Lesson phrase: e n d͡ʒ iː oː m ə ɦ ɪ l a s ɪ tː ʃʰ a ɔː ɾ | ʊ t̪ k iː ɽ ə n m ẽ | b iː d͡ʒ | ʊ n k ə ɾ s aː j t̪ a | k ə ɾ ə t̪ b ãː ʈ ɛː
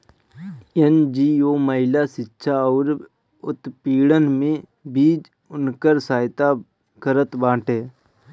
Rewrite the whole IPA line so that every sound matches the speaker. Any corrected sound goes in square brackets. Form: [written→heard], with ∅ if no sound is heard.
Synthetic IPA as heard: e n d͡ʒ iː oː m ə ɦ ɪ l a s ɪ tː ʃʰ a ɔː ɾ | ʊ t̪ [k→p] iː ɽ ə n m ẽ | b iː d͡ʒ | ʊ n k ə ɾ s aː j t̪ a | k ə ɾ ə t̪ b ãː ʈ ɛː